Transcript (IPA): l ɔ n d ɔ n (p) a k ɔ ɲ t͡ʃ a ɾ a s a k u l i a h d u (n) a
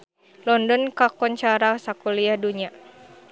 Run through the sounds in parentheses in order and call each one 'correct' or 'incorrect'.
incorrect: k, incorrect: ɲ

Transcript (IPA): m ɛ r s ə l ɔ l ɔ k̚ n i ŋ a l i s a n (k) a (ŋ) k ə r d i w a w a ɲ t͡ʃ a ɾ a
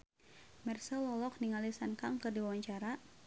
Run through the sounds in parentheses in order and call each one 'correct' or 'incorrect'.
correct, correct

